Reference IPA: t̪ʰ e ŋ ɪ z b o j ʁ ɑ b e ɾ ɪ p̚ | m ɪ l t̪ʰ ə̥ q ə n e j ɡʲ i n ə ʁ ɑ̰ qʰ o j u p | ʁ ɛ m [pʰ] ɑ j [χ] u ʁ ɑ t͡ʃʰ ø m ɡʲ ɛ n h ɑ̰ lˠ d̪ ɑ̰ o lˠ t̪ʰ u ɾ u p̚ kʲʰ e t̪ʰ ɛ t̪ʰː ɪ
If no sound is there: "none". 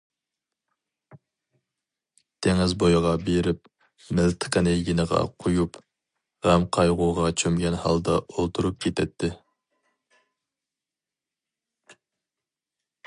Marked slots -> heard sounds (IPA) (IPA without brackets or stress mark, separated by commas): qʰ, ʁ